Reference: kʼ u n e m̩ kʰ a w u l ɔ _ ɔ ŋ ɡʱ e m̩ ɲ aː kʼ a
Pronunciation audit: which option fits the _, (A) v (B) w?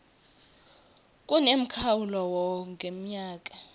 B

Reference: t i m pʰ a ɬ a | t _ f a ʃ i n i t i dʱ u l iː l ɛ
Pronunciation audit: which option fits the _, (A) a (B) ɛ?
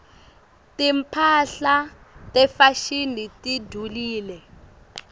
B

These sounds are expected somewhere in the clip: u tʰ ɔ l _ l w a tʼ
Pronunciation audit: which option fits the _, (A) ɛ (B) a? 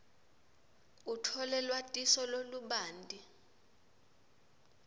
A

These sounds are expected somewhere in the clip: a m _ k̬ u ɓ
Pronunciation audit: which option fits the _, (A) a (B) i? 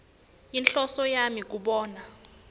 B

